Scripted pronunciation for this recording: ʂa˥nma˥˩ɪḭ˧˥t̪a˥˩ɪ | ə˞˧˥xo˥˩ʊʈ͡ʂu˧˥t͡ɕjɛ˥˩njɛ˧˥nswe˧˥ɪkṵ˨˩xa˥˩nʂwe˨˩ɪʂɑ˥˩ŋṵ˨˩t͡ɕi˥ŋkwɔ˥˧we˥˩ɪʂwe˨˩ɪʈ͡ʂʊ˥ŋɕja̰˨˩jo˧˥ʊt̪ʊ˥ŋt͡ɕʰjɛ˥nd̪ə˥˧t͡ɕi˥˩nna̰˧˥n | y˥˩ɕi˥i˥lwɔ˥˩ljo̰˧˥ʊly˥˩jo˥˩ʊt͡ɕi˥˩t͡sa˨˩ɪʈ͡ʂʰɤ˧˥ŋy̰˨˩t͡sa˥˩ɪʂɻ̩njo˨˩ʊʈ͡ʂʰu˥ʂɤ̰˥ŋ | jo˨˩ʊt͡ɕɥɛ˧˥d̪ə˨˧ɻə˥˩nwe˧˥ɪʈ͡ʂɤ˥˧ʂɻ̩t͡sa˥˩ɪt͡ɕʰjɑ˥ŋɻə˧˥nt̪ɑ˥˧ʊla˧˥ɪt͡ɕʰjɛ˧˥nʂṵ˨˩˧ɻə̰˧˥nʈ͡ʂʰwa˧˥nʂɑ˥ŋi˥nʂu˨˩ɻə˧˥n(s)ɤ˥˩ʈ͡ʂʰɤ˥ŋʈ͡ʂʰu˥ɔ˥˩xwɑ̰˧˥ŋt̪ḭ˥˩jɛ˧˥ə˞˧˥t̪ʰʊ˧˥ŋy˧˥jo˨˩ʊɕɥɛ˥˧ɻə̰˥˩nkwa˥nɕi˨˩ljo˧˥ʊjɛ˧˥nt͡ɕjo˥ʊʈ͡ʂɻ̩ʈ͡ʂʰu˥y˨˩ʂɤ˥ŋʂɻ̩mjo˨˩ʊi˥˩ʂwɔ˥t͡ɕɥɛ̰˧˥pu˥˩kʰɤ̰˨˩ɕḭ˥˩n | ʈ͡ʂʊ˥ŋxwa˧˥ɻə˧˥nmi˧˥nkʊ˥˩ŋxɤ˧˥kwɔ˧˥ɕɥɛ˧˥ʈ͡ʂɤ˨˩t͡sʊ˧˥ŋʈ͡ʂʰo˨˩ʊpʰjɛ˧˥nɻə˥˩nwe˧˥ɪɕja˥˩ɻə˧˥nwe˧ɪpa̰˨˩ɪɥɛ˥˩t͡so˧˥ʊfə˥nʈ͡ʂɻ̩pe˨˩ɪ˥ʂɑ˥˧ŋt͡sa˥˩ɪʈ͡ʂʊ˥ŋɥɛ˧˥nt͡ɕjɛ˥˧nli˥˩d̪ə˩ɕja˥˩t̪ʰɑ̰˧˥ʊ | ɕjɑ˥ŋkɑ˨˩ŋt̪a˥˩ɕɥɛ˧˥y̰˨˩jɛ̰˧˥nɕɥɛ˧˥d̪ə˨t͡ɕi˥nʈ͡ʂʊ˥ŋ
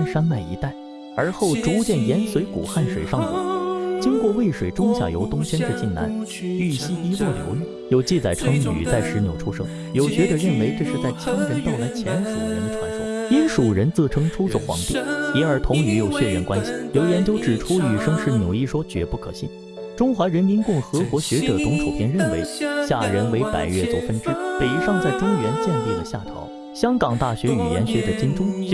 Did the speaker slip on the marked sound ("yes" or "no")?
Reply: yes